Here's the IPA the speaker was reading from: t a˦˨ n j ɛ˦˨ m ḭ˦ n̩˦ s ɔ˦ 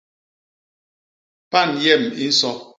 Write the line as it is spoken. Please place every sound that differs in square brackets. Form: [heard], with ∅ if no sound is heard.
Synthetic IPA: [p] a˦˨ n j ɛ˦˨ m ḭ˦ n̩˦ s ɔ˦